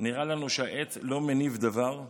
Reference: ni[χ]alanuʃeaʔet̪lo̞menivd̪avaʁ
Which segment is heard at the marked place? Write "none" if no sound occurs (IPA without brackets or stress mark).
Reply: ʁ